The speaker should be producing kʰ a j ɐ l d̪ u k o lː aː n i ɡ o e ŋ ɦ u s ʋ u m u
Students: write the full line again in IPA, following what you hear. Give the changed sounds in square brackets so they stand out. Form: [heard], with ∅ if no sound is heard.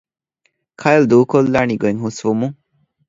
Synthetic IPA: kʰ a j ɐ l d̪ [uː] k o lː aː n i ɡ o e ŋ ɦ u s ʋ u m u